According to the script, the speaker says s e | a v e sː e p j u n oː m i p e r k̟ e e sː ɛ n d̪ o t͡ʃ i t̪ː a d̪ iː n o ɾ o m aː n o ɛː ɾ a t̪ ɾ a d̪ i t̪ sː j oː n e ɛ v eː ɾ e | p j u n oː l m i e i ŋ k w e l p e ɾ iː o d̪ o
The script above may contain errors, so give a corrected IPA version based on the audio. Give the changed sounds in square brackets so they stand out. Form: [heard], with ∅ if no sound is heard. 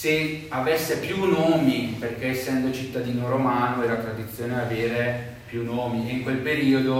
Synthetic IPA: s e | a v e sː e p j u n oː m i p e r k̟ e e sː ɛ n d̪ o t͡ʃ i t̪ː a d̪ iː n o ɾ o m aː n o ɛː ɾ a t̪ ɾ a d̪ i t̪ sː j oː n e [a] v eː ɾ e | p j u n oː [∅] m i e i ŋ k w e l p e ɾ iː o d̪ o